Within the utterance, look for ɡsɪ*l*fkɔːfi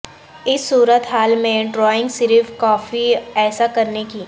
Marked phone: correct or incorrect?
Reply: incorrect